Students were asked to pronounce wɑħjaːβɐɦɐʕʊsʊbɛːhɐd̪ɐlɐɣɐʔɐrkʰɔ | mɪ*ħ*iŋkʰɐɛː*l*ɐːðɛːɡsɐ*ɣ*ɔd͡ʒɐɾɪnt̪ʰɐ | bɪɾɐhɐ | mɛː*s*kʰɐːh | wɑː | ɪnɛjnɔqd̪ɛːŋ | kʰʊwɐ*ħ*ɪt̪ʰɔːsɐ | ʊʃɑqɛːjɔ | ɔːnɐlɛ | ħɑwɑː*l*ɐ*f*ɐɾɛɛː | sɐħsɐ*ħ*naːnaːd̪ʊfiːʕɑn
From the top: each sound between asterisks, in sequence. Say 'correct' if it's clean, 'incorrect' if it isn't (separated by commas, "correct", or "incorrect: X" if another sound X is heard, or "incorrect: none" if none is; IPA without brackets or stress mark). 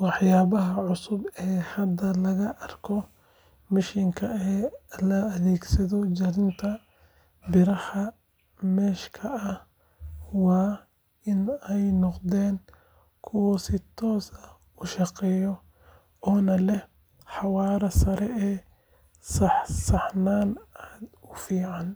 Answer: incorrect: ʃ, correct, incorrect: ð, incorrect: ʃ, incorrect: s, incorrect: ɾ, incorrect: s, correct